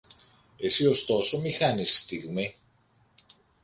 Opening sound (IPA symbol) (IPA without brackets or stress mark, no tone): e̞